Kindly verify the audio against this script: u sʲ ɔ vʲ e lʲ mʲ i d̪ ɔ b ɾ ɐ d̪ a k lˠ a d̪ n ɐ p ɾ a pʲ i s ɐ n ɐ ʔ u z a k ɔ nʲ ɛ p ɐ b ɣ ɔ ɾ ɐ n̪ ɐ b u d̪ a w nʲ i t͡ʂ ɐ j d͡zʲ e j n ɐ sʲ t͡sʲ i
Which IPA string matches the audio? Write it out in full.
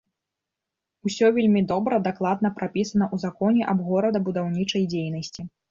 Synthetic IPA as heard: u sʲ ɔ vʲ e lʲ mʲ i d̪ ɔ b ɾ ɐ d̪ a k lˠ a d̪ n ɐ p ɾ a pʲ i s ɐ n ɐ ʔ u z a k ɔ nʲ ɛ ʔ ɐ b ɣ ɔ ɾ ɐ d̪ ɐ b u d̪ a w nʲ i t͡ʂ ɐ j d͡zʲ e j n ɐ sʲ t͡sʲ i